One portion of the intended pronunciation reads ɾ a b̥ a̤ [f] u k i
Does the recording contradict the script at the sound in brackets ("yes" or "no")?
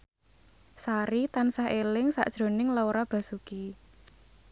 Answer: yes